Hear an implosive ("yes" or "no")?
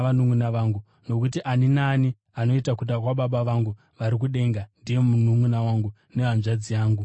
yes